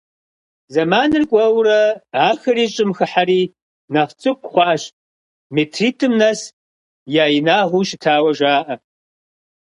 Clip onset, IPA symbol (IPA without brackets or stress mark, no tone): z